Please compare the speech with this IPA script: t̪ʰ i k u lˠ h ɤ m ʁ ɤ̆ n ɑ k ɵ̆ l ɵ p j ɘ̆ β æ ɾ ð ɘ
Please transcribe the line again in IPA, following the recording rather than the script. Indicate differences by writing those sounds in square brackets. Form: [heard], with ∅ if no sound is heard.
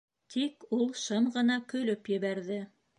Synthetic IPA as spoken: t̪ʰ i k u lˠ [ʃ] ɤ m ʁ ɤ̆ n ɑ k ɵ̆ l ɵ p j ɘ̆ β æ ɾ ð ɘ